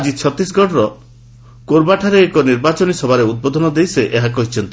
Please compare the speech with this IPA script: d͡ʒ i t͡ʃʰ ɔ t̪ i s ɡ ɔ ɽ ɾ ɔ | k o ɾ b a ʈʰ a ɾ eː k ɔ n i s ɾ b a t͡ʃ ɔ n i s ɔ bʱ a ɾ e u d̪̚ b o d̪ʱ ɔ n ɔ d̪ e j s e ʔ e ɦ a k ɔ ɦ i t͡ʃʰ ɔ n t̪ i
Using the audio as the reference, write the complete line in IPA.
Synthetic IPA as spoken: d͡ʒ i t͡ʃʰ ɔ t̪ i s ɡ ɔ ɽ ɾ ɔ | k o ɾ b a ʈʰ a ɾ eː k ɔ n i ɾ b a t͡ʃ ɔ n i s ɔ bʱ a ɾ e u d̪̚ b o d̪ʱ ɔ n ɔ d̪ e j s e ʔ e ɦ a k ɔ ɦ i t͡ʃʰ ɔ n t̪ i